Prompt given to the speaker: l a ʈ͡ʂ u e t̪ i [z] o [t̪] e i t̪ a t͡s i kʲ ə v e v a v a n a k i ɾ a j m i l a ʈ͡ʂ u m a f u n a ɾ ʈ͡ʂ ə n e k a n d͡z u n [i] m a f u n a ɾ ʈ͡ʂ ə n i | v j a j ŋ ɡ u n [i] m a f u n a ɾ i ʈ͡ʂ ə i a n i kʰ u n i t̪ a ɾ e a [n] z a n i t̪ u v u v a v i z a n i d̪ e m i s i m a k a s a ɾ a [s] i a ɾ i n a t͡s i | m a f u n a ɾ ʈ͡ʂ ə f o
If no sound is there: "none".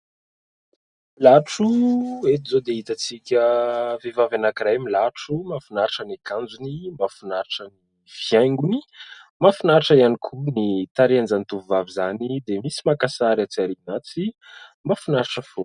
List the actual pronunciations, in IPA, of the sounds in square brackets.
z, d̪, i, i, n, t͡s

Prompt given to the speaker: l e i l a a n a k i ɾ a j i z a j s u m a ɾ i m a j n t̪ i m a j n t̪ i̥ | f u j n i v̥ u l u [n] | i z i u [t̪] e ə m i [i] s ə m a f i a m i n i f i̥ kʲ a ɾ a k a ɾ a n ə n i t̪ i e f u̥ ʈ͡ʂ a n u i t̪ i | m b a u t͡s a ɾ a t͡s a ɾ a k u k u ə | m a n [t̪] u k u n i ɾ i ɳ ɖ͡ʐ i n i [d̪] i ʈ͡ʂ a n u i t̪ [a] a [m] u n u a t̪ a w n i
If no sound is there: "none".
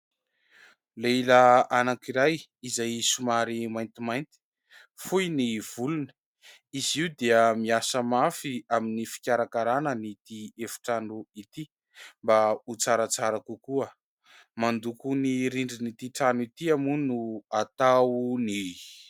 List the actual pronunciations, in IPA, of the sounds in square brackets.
n, d̪, a, d̪, t̪, i, m

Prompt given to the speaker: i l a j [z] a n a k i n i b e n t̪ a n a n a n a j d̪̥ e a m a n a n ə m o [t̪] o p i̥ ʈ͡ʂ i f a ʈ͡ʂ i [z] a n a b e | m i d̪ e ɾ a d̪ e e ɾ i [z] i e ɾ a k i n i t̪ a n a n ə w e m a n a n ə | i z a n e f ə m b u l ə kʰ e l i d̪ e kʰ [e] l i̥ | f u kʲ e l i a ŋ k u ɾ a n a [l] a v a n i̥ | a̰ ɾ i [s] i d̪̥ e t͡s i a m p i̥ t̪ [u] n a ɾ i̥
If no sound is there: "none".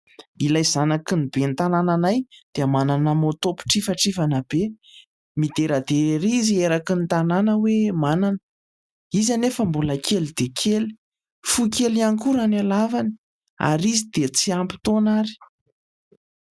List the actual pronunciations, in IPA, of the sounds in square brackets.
z, t̪, v, z, e, l, z, o

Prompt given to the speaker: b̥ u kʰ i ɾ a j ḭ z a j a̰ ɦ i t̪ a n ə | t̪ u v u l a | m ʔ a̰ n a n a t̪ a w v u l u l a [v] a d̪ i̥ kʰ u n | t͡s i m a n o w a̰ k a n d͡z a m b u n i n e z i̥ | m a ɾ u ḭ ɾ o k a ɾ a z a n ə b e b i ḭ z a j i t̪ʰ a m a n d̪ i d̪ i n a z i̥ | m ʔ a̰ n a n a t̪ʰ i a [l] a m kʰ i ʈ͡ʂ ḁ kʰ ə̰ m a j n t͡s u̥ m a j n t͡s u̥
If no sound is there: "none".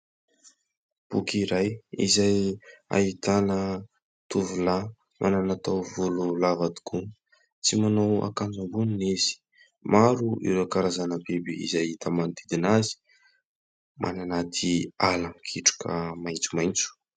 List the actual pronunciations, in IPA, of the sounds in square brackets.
v, l

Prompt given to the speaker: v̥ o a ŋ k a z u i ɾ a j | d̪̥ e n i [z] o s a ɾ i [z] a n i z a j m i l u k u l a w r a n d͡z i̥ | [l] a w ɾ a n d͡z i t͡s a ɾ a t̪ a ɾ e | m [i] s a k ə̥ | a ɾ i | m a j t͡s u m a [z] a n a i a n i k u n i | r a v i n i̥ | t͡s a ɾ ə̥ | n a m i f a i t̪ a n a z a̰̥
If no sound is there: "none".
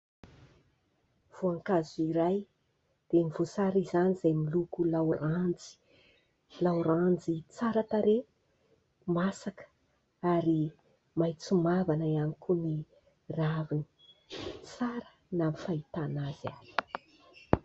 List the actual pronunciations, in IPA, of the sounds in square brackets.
v, z, l, a, v

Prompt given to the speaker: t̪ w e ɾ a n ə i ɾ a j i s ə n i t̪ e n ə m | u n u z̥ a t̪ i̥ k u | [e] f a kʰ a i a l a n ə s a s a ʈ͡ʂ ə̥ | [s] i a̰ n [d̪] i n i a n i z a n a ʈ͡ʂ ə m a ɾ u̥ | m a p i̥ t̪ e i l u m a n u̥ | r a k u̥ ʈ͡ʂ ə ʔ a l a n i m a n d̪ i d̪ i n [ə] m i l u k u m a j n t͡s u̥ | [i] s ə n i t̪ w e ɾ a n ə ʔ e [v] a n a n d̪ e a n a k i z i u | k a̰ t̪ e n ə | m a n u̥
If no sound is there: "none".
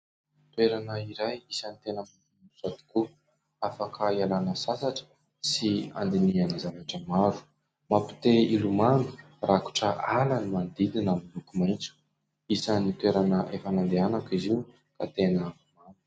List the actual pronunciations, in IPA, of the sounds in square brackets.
a, s, d̪, a, i, f

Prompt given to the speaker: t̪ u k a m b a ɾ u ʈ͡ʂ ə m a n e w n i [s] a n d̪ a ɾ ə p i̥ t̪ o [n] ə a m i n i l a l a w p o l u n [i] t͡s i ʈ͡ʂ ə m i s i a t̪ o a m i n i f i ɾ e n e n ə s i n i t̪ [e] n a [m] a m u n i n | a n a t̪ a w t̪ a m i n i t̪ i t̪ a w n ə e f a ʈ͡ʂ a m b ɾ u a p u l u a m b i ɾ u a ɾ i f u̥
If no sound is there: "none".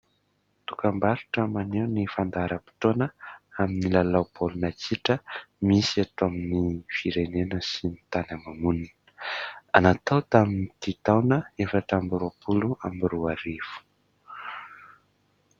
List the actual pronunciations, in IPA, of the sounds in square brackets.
f, n, a, a, m

